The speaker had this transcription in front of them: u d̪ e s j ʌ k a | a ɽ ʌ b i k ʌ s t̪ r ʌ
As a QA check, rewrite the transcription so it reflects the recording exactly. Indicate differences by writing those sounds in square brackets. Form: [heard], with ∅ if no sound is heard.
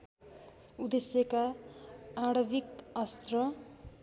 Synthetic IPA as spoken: u d̪ e s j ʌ k a | a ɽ ʌ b i k ʌ s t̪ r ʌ